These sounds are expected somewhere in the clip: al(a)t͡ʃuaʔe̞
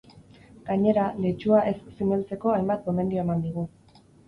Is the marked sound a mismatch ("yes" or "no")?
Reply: yes